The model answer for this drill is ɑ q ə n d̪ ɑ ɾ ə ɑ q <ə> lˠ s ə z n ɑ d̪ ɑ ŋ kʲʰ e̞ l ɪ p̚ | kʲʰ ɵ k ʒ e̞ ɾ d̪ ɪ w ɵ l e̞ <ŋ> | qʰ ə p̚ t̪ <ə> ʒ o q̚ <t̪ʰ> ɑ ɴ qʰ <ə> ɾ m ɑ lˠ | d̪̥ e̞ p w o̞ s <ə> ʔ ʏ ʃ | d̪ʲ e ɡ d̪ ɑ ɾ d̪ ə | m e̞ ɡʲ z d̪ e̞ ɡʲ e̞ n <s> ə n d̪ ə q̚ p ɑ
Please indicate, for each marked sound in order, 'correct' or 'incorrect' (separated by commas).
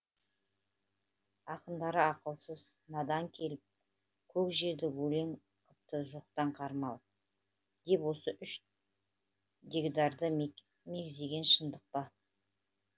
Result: correct, correct, correct, incorrect, incorrect, correct, incorrect